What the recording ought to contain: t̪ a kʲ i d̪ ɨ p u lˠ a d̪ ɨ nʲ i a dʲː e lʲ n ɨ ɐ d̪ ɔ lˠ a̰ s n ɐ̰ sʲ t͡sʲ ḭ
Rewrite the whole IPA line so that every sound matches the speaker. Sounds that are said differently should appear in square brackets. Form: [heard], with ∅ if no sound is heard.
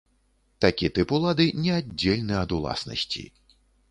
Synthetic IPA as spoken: t̪ a kʲ i [t̪] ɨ p u lˠ a d̪ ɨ nʲ [ɛ] a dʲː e lʲ n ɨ ɐ d̪ [u] lˠ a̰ s n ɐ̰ sʲ t͡sʲ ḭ